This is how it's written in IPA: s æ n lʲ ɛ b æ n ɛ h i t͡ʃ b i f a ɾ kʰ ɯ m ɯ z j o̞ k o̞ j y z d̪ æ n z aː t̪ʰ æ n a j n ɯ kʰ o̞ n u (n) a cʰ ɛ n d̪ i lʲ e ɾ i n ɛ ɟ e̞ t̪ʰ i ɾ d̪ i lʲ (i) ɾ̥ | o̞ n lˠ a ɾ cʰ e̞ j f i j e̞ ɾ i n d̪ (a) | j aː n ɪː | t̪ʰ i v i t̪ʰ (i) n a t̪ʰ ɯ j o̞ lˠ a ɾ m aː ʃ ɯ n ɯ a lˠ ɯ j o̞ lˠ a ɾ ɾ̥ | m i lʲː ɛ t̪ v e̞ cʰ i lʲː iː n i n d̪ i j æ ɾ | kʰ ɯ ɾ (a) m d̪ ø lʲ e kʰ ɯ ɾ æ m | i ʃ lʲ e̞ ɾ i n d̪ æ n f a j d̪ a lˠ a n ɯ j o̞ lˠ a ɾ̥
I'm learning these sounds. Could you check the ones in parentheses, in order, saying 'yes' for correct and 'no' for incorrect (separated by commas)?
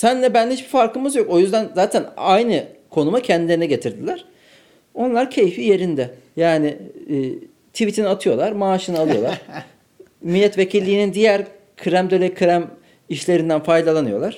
no, no, no, yes, no